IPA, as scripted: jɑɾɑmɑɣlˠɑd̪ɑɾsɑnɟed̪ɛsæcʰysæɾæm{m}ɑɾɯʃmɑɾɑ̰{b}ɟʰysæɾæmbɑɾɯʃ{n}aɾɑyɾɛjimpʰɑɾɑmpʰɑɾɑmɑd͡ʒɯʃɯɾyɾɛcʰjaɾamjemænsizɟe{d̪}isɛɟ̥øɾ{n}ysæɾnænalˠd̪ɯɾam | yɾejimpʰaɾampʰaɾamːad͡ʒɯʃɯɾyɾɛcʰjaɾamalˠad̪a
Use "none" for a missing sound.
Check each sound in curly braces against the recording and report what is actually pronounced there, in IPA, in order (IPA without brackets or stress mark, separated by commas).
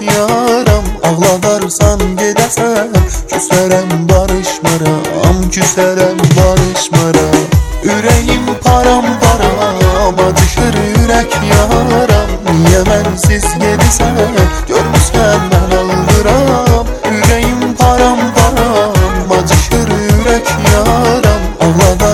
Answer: b, m, m, d̪, m